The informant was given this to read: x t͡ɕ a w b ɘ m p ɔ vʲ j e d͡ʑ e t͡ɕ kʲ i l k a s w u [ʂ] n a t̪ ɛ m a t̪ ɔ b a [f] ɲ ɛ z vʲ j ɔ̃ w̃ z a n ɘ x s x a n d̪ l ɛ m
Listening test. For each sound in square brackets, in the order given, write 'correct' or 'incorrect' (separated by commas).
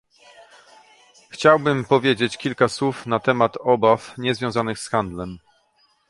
incorrect, correct